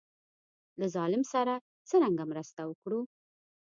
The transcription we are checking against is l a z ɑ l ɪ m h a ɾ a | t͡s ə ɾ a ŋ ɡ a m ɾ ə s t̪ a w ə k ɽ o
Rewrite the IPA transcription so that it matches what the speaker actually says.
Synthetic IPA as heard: l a z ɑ l ɪ m s a ɾ a | t͡s ə ɾ a ŋ ɡ a m ɾ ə s t̪ a w ə k ɽ u